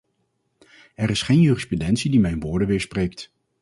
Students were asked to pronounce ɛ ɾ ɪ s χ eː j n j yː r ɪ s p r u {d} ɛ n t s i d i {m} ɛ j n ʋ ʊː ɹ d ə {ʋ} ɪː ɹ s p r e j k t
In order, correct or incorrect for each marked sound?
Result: correct, correct, correct

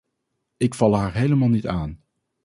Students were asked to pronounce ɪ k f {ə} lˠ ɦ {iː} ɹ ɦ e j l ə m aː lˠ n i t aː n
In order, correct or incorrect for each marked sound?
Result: incorrect: ɑ, incorrect: aː

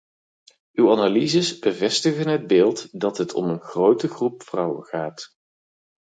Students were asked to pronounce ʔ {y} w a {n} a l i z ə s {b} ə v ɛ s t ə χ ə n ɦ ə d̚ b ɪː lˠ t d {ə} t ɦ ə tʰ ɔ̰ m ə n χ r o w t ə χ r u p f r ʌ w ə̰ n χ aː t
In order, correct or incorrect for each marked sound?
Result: correct, correct, correct, incorrect: ɑ

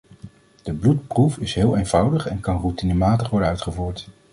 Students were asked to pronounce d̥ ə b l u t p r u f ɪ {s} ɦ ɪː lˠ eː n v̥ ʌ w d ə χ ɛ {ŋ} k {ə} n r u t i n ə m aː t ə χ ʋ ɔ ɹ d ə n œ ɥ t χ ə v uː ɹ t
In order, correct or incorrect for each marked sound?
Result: correct, incorrect: n, incorrect: ɑ

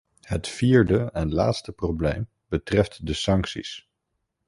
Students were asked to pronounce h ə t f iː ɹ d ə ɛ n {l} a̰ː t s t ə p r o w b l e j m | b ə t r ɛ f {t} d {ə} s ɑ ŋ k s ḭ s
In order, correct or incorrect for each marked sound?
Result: correct, correct, correct

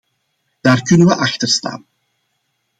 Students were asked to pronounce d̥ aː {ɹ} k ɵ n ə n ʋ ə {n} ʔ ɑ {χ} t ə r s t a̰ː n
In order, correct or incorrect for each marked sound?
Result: incorrect: r, incorrect: none, incorrect: x

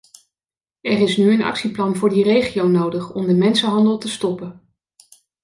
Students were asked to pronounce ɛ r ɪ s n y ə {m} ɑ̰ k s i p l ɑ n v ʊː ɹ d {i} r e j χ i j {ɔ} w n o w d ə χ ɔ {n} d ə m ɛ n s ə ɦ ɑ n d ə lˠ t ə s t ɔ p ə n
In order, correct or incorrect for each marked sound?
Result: incorrect: n, correct, incorrect: o, incorrect: m

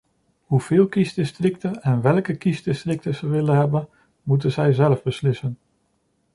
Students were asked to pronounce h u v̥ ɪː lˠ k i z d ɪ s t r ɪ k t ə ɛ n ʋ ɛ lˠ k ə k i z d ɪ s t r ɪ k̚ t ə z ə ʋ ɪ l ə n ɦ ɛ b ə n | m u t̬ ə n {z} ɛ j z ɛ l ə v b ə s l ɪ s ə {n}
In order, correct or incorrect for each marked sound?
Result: correct, correct

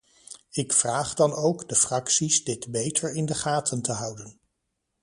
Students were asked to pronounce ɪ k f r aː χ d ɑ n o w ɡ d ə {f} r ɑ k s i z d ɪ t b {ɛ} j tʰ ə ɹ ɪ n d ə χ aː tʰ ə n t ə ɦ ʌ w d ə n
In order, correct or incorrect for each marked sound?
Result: correct, incorrect: e

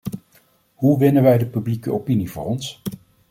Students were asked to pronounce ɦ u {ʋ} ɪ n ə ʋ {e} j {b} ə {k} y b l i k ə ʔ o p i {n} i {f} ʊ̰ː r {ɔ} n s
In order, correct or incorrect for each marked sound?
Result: correct, incorrect: ɛ, incorrect: d, incorrect: p, correct, incorrect: v, correct

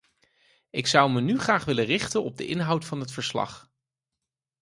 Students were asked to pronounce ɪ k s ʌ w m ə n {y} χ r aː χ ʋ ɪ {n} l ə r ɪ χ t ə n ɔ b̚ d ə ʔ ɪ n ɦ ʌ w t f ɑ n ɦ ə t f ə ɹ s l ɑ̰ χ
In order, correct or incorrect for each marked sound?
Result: correct, incorrect: none

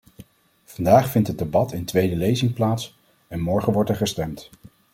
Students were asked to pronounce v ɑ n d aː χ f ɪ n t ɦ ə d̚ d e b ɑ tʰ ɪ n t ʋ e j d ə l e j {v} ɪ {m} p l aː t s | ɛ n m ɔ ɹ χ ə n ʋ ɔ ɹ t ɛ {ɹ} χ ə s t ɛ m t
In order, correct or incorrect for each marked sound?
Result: incorrect: z, incorrect: ŋ, correct

